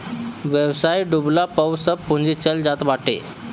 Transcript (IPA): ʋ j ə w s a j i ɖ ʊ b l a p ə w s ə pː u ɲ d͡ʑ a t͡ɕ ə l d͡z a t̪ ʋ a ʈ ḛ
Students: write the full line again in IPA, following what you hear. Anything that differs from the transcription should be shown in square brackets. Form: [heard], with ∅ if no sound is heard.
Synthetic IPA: ʋ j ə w s a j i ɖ [u] b l a p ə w s ə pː u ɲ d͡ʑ [i] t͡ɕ ə l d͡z a t̪ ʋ a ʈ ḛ